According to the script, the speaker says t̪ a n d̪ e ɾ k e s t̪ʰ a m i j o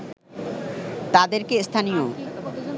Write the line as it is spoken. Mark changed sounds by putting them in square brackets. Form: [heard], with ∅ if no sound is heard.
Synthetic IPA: t̪ a [∅] d̪ e ɾ k e s t̪ʰ a [n] i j o